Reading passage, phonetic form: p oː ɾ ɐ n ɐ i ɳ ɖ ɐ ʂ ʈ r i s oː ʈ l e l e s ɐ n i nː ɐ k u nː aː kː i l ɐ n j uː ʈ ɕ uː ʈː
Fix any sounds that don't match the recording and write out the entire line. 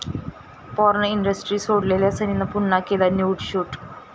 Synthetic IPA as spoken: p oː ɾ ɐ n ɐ i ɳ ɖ ɐ s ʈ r i s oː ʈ l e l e s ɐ n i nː ɐ p u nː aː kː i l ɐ n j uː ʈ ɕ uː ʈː

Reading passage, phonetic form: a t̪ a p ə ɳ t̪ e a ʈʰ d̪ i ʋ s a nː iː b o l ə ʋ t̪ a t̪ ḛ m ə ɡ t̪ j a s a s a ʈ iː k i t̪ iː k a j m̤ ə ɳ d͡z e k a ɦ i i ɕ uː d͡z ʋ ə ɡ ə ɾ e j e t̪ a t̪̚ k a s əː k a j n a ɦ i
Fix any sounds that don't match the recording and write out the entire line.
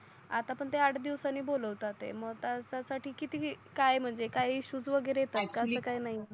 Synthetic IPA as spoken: a t̪ a p ə ɳ t̪ e a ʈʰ d̪ i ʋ s a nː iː b o l ə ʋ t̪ a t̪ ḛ m ə ɡ t̪ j a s a s a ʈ iː k i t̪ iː k a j m̤ ə ɳ d͡z e k a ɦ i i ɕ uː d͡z ʋ ə ɡ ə ɾ e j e t̪ a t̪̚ k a s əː k a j n a ɦ i

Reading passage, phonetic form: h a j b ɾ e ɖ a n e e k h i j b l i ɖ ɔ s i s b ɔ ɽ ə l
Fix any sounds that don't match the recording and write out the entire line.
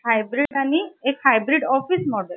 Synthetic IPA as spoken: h a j b ɾ i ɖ a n i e k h a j b ɾ i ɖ ɔ f i s m ɔ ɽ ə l

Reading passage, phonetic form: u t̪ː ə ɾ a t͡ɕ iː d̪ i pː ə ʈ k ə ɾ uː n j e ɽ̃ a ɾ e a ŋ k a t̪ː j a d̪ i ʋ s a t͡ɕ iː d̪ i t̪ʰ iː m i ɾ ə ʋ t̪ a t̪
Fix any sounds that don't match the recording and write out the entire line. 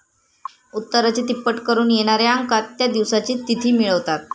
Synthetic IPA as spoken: u t̪ː ə ɾ a t͡ɕ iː t̪ i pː ə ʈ k ə ɾ uː n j e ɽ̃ a ɾ e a ŋ k a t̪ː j a d̪ i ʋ s a t͡ɕ iː t̪ i t̪ʰ iː m i ɭ ə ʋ t̪ a t̪

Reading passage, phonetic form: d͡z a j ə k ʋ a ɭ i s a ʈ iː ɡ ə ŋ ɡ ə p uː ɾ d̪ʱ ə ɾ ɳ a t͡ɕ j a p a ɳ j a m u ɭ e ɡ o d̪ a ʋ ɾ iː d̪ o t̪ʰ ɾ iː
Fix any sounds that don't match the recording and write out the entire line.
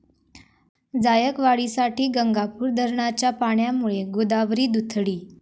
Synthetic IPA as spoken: d͡z a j ə k ʋ a ɭ i s a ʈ iː ɡ ə ŋ ɡ a p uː ɾ d̪ʱ ə ɾ ɳ a t͡ɕ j a p a ɳ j a m u ɭ e ɡ o d̪ a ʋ ɾ iː d̪ u t̪ʰ ɽ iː

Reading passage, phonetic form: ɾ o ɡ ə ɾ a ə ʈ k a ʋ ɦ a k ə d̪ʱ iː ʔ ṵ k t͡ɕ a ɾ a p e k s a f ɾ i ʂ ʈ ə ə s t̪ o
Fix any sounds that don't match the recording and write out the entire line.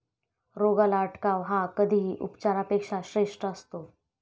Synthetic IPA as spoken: ɾ o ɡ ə l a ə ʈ k a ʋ ɦ a k ə d̪ʱ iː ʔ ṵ p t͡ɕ a ɾ a p e k ʂ a ɕ ɾ e ʂ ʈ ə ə s t̪ o

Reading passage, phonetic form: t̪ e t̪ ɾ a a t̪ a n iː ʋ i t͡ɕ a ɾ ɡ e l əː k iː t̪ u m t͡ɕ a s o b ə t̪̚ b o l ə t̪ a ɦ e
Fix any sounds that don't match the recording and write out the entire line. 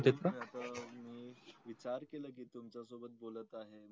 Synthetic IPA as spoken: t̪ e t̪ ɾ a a t̪ a m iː ʋ i t͡ɕ a ɾ k e l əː k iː t̪ u m t͡ɕ a s o b ə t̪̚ b o l ə t̪ a ɦ e

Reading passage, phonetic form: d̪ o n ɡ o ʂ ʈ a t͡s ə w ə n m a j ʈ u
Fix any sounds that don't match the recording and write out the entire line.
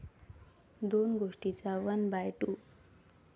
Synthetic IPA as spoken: d̪ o n ɡ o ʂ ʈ i t͡s a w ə n b a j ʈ u

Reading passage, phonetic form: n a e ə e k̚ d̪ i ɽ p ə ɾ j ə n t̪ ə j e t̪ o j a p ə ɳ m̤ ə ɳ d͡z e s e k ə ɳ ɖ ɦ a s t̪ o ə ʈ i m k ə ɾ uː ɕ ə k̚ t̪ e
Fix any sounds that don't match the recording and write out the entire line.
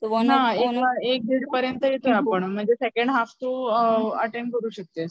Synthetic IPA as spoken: n a e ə e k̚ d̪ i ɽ p ə ɾ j ə n t̪ ə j e t̪ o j a p ə ɳ m̤ ə ɳ d͡z e s e k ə ɳ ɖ ɦ a f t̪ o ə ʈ e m k ə ɾ uː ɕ ə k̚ t̪ e

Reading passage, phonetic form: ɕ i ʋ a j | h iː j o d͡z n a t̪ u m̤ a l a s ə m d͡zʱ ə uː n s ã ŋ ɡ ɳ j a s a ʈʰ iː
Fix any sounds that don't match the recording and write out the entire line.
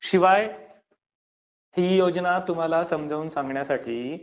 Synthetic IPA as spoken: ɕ i ʋ a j | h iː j o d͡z n a t̪ u m̤ a l a s ə m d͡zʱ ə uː n s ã ŋ ɡ ɳ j a s a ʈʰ iː

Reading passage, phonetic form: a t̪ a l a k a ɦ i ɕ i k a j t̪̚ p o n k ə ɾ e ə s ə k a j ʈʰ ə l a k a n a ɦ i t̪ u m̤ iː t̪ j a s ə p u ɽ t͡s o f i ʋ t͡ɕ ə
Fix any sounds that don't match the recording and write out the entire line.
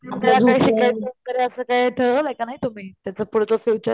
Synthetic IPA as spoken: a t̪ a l a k a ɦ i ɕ i k a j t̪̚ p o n k ə ɾ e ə s ə k a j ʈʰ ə l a k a n a ɦ i t̪ u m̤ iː t̪ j a t͡s ə p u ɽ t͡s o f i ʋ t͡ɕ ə

